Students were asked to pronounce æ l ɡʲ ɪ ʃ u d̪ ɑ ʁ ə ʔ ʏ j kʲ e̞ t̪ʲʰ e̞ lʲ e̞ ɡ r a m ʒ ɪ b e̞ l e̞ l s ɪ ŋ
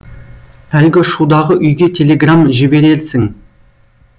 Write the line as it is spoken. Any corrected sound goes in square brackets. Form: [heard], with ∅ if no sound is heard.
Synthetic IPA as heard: æ l ɡʲ ɪ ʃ u d̪ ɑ ʁ ə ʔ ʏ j [ɡʲ] e̞ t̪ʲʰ e̞ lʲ e̞ ɡ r a m ʒ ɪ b e̞ [ɾ] e̞ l s ɪ ŋ